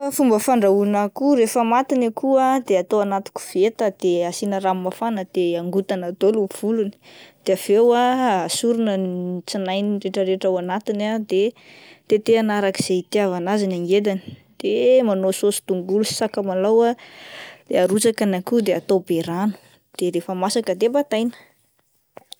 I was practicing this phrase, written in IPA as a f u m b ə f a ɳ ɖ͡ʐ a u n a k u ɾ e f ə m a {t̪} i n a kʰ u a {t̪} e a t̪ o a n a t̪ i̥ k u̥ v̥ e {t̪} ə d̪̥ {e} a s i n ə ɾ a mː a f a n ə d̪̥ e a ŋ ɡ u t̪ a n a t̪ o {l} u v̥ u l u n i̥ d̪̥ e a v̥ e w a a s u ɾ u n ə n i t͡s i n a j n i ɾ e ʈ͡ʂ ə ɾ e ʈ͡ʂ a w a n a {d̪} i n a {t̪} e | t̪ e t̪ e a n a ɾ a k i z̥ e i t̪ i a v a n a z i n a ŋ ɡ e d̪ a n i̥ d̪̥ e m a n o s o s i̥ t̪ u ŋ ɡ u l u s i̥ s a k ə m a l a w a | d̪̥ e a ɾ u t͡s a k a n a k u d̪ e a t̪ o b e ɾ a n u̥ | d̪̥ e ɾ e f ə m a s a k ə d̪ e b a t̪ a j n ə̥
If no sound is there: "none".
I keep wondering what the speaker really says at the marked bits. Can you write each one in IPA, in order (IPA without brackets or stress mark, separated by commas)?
t̪, d̪, t̪, e, l, t̪, d̪